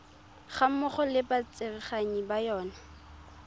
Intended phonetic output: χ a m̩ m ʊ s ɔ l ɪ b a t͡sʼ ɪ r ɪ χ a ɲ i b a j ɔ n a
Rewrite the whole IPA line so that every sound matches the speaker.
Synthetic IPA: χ a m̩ m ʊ χ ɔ l ɪ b a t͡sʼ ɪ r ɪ χ a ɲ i b a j ɔː n a